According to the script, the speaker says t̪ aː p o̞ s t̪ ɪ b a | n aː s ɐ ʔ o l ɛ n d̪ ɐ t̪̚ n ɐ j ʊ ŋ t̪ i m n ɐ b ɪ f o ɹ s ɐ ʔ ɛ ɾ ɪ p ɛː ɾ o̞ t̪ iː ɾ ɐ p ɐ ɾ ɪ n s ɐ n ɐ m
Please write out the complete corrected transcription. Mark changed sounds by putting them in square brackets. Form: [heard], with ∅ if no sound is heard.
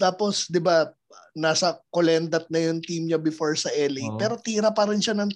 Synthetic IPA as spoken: t̪ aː p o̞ s [d̪] ɪ b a | n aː s ɐ [k] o l ɛ n d̪ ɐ t̪̚ n ɐ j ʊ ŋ t̪ i m [ɲ] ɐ b ɪ f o ɹ s ɐ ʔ ɛ [l] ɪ p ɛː ɾ o̞ t̪ iː ɾ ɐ p ɐ ɾ ɪ n [ʃ] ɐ n ɐ [ŋ]